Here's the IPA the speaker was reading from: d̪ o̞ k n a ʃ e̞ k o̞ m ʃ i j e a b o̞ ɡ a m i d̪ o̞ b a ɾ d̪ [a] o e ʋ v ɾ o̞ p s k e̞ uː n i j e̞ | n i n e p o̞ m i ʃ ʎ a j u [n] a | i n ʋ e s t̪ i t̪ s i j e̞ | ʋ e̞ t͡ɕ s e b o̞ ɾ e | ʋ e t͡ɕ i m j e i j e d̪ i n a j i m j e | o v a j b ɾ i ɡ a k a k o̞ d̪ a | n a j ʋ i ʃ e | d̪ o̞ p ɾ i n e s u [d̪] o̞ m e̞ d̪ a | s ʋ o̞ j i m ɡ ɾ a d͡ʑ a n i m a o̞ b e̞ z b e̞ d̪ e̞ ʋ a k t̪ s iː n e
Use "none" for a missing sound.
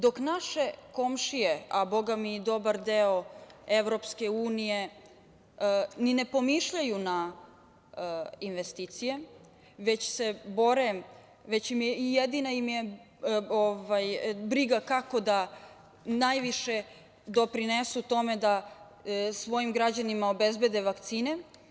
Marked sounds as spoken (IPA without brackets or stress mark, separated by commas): e, n, t̪